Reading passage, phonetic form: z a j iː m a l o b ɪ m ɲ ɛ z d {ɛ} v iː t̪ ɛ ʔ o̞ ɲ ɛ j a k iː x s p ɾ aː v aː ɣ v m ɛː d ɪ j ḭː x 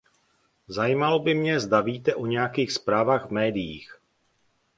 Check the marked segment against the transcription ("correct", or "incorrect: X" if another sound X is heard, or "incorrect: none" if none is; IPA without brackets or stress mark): incorrect: a